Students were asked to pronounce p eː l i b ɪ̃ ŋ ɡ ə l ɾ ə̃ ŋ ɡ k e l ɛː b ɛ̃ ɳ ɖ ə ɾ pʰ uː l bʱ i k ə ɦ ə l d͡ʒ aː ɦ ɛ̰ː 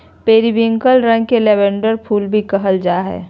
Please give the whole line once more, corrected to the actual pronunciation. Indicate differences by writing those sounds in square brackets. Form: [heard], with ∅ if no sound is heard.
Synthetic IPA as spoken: p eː [ɾ] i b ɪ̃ ŋ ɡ ə l ɾ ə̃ ŋ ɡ k e l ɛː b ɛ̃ ɳ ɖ ə ɾ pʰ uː l bʱ i k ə ɦ ə l d͡ʒ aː ɦ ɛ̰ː